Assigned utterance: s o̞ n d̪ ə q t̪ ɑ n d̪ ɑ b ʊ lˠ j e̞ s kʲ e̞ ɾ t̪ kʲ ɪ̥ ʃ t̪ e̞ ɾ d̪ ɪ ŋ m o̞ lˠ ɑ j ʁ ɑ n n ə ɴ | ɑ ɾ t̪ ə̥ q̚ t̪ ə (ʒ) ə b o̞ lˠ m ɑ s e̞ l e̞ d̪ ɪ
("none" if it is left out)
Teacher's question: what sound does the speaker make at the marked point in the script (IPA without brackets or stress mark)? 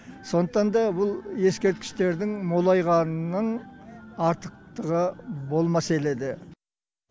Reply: ʁ